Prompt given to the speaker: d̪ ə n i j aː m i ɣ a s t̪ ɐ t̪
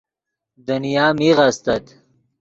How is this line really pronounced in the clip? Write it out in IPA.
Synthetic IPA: d̪ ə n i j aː m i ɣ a s t̪ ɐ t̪